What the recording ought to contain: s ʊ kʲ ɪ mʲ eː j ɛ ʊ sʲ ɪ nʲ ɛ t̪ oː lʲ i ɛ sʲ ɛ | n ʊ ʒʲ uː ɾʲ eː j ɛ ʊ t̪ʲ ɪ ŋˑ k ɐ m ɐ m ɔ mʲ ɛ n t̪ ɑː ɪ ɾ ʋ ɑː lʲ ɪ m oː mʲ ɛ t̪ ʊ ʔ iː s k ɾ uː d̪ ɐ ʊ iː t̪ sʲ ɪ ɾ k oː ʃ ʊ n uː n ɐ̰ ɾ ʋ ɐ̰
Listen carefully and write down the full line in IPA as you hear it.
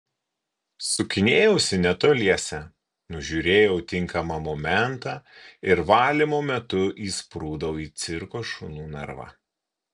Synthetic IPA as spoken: s ʊ kʲ ɪ nʲ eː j ɛ ʊ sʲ ɪ nʲ ɛ t̪ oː lʲ i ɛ sʲ ɛ | n ʊ ʒʲ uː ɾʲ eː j ɛ ʊ t̪ʲ ɪ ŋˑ k ɐ m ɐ m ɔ mʲ ɛ n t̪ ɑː ɪ ɾ ʋ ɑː lʲ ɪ m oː mʲ ɛ t̪ ʊ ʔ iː s p ɾ uː d̪ ɐ ʊ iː t̪ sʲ ɪ ɾ k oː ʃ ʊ n uː n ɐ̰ ɾ ʋ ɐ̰

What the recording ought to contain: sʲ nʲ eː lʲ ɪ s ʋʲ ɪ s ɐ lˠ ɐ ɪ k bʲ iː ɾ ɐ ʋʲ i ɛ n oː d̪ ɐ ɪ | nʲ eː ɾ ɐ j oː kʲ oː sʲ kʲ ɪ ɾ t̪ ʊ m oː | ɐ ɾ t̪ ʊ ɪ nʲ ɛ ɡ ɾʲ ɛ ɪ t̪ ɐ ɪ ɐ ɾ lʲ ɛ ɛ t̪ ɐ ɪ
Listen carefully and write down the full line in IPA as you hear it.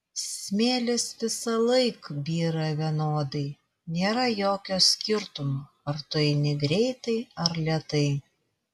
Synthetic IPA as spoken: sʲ mʲ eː lʲ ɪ s ʋʲ ɪ s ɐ lˠ ɐ ɪ k bʲ iː ɾ ɐ ʋʲ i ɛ n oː d̪ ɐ ɪ | nʲ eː ɾ ɐ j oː kʲ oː sʲ kʲ ɪ ɾ t̪ ʊ m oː | ɐ ɾ t̪ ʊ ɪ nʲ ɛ ɡ ɾʲ ɛ ɪ t̪ ɐ ɪ ɐ ɾ lʲ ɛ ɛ t̪ ɐ ɪ

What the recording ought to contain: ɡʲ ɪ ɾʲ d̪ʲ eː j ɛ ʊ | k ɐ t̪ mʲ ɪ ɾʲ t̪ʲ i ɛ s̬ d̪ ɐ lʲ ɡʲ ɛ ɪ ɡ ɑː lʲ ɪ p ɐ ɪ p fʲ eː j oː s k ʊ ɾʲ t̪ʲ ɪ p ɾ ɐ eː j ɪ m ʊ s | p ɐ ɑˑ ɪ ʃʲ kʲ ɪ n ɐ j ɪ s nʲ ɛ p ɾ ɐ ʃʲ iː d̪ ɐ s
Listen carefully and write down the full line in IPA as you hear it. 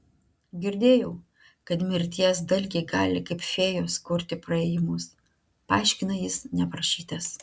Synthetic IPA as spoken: ɡʲ ɪ ɾʲ d̪ʲ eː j ɛ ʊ | k ɐ t̪ mʲ ɪ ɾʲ t̪ʲ i ɛ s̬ d̪ ɐ lʲ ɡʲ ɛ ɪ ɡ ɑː lʲ ɪ k ɐ ɪ p fʲ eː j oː s k ʊ ɾʲ t̪ʲ ɪ p ɾ ɐ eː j ɪ m ʊ s | p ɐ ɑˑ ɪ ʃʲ kʲ ɪ n ɐ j ɪ s nʲ ɛ p ɾ ɐ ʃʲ iː t̪ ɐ s

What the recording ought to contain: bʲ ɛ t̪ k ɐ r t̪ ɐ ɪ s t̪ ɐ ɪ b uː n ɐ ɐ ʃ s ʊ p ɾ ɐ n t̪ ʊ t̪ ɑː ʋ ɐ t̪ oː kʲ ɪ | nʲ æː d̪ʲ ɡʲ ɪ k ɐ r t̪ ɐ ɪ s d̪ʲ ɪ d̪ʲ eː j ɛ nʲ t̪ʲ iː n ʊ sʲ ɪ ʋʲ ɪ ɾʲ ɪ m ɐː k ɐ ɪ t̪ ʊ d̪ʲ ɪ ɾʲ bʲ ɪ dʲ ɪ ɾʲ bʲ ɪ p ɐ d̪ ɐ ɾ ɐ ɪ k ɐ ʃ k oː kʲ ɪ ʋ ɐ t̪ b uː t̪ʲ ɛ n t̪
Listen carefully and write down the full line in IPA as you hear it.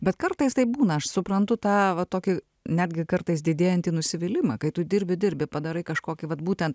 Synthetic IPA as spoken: bʲ ɛ t̪ k ɐ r t̪ ɐ ɪ s t̪ ɐ ɪ b uː n ɐ ɐ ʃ s ʊ p ɾ ɐ n t̪ ʊ t̪ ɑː ʋ ɐ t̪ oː kʲ ɪ | nʲ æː d̪ʲ ɡʲ ɪ k ɐ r t̪ ɐ ɪ s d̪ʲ ɪ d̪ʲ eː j ɛ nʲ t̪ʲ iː n ʊ sʲ ɪ ʋʲ ɪ lʲ ɪ m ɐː k ɐ ɪ t̪ ʊ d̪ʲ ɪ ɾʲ bʲ ɪ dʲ ɪ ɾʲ bʲ ɪ p ɐ d̪ ɐ ɾ ɐ ɪ k ɐ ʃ k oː kʲ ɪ ʋ ɐ t̪ b uː t̪ʲ ɛ n t̪

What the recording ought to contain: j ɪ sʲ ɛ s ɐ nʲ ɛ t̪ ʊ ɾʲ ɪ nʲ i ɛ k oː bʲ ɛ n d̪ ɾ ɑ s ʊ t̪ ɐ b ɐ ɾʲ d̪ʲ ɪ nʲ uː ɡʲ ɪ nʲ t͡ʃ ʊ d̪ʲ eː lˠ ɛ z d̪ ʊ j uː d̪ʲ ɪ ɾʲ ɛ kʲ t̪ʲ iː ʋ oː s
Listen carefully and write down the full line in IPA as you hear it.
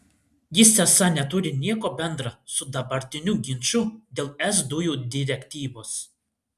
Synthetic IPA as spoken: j ɪ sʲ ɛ s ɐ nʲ ɛ t̪ ʊ ɾʲ ɪ nʲ i ɛ k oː bʲ ɛ n d̪ ɾ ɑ s ʊ d̪ ɐ b ɐ ɾʲ t̪ʲ ɪ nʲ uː ɡʲ ɪ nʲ t͡ʃ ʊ d̪ʲ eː lˠ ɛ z d̪ ʊ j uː d̪ʲ ɪ ɾʲ ɛ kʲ t̪ʲ iː ʋ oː s

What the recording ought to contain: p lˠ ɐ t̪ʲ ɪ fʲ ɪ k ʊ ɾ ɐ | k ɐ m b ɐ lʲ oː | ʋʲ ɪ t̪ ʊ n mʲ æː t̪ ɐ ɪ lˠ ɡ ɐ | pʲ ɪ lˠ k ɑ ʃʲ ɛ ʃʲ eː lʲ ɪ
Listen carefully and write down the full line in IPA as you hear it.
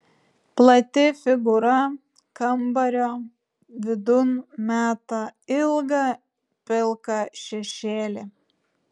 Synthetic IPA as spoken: p lˠ ɐ t̪ʲ ɪ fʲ ɪ ɡ ʊ ɾ ɐ | k ɐ m b ɐ ɾʲ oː | ʋʲ ɪ d̪ ʊ n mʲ æː t̪ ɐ ɪ lˠ ɡ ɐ | pʲ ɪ lˠ k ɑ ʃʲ ɛ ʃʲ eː lʲ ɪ

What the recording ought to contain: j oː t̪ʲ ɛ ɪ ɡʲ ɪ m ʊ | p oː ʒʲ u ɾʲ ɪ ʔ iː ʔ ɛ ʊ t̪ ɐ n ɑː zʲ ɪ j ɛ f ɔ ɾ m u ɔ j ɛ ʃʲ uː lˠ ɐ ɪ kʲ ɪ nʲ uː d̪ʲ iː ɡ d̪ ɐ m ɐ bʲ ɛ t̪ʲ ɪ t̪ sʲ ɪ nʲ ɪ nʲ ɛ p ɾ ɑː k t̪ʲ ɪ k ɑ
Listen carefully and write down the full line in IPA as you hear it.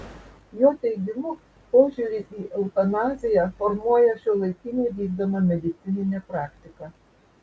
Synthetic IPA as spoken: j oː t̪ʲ ɛ ɪ ɡʲ ɪ m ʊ | p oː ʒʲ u ɾʲ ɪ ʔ iː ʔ ɛ ʊ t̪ ɐ n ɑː zʲ ɪ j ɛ f ɔ ɾ m u ɔ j ɛ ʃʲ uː lˠ ɐ ɪ kʲ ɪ nʲ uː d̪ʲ iː ɡ d̪ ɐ m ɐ mʲ ɛ d̪ʲ ɪ t̪ sʲ ɪ nʲ ɪ nʲ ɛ p ɾ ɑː k t̪ʲ ɪ k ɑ

